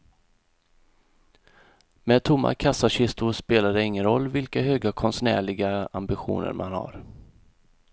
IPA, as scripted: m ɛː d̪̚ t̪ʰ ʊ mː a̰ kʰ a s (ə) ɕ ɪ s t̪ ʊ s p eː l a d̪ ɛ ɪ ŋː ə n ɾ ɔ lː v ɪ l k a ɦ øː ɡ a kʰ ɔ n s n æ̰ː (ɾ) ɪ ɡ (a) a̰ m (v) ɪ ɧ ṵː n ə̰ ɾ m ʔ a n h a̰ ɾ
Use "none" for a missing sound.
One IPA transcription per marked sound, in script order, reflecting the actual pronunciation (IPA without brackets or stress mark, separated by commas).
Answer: a, ɭ, a, b